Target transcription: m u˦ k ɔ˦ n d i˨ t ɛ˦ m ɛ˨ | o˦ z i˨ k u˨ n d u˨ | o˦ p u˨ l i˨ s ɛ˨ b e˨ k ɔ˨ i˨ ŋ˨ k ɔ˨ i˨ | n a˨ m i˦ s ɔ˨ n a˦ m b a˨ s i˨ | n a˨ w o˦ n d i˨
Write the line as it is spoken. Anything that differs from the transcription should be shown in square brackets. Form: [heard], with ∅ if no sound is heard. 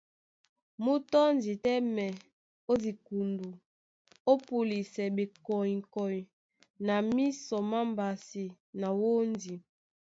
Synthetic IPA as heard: m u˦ [t] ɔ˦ n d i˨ t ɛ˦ m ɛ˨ | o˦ z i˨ k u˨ n d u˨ | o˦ p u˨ l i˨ s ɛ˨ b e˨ k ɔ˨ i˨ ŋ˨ k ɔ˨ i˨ | n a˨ m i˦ s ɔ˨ [m] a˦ m b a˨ s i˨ | n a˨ w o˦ n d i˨